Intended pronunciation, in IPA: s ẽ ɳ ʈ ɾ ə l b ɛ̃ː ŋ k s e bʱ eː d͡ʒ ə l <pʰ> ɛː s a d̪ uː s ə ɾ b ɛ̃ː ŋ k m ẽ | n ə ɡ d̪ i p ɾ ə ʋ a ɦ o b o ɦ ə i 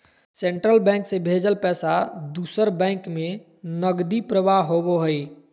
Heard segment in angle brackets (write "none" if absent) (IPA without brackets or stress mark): p